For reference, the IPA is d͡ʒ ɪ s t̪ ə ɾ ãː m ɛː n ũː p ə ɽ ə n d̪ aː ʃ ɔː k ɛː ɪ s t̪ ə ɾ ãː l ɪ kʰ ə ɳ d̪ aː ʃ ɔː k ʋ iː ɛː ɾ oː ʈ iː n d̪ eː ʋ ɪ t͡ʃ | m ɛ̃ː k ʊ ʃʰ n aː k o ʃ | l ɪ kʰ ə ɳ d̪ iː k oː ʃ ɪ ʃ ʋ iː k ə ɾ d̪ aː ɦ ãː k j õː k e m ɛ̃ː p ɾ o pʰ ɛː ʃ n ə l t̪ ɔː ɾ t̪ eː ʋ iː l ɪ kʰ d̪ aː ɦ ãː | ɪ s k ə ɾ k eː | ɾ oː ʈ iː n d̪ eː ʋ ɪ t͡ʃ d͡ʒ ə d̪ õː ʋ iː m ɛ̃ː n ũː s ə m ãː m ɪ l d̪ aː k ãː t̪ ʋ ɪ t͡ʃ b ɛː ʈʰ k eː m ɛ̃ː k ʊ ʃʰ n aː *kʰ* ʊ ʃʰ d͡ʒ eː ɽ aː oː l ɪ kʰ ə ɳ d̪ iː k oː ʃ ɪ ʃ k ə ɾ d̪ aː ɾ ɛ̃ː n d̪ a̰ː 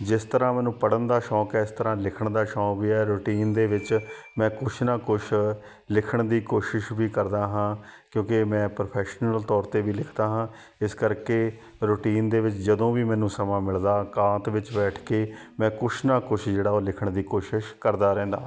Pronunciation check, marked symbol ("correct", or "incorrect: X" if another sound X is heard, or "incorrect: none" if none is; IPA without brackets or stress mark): incorrect: k